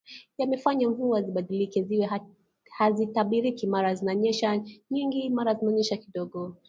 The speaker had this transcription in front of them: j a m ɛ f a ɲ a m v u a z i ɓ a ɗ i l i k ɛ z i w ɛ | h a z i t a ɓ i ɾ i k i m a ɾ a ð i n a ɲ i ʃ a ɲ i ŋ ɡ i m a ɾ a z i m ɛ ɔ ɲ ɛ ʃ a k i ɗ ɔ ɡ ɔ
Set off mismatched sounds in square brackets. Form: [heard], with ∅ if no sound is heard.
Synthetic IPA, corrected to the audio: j a m ɛ f a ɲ a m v u a z i ɓ a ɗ i l i k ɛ z i w ɛ | h a z i t a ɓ i ɾ i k i m a ɾ a [z] i n a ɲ [ɛ] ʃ a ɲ i ŋ ɡ i m a ɾ a z i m ɛ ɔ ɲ ɛ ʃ a k i ɗ ɔ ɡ ɔ